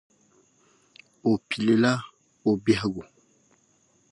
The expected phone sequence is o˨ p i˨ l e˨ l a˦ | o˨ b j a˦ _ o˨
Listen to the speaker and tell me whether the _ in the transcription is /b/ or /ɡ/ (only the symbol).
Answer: ɡ